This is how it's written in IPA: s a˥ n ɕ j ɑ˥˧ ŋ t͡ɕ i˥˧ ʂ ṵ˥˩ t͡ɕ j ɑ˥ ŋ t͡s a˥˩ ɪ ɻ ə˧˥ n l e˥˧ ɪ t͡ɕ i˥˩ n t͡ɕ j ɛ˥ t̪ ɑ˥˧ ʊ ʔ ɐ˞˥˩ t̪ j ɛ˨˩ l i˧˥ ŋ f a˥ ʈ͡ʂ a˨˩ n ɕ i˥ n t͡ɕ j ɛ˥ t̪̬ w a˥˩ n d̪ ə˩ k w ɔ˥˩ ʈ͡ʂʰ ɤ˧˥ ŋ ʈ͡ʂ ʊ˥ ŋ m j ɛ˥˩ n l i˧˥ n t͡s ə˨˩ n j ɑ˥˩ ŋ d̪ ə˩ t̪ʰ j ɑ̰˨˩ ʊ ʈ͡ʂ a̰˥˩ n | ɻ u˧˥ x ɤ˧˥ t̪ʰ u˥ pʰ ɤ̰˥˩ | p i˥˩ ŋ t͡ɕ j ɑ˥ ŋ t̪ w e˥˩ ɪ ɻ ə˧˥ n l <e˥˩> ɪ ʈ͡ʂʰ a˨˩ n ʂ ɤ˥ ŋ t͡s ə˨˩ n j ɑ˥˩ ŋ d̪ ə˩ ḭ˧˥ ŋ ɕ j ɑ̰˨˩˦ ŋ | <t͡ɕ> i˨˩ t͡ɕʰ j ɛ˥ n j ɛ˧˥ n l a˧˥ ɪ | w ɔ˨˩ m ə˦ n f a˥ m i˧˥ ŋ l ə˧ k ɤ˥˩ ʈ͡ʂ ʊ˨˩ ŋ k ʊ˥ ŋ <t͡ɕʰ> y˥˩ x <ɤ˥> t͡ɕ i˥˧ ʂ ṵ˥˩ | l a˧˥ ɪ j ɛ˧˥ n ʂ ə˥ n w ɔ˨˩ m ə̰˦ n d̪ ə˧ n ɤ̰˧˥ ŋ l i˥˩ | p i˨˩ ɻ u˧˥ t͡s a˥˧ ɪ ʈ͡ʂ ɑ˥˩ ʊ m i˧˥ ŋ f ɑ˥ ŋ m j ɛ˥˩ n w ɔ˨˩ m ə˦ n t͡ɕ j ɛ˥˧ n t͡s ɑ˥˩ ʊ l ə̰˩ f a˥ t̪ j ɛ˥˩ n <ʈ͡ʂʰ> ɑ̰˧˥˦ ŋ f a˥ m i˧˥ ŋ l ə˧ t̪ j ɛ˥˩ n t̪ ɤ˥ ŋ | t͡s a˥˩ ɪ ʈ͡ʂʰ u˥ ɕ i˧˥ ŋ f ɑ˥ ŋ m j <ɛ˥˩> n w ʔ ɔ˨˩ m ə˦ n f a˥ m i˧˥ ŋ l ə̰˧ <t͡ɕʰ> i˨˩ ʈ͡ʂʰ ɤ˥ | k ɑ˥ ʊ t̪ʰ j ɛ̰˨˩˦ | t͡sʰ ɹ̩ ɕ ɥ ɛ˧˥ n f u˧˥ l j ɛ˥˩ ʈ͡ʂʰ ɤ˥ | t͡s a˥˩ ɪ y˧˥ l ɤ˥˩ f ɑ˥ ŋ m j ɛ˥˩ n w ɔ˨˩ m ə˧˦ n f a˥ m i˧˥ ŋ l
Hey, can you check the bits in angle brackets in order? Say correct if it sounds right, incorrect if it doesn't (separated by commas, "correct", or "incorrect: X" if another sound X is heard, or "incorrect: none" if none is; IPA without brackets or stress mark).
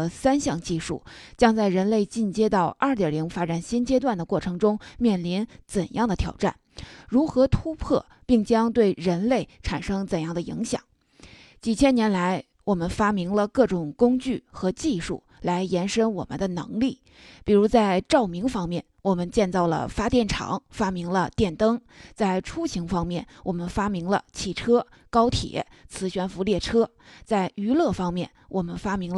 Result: correct, correct, incorrect: t͡ɕ, incorrect: ɤ˧˥, correct, correct, correct